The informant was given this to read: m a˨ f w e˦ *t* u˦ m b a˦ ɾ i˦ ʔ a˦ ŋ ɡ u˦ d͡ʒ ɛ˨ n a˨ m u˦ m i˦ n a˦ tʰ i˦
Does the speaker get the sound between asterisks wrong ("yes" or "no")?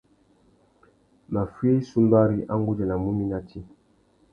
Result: yes